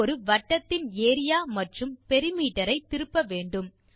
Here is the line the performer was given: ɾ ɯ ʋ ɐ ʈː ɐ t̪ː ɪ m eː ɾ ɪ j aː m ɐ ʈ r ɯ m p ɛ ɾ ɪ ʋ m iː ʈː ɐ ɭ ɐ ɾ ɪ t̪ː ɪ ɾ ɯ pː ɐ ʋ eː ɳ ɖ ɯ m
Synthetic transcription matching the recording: ɾ ɯ ʋ ɐ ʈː ɐ t̪ː ɪ n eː ɾ ɪ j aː m ɐ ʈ r ɯ m p ɛ ɾ ɪ m iː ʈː ɐ ɾ ɐ ɪ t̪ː ɪ ɾ ɯ pː ɐ ʋ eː ɳ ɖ ɯ m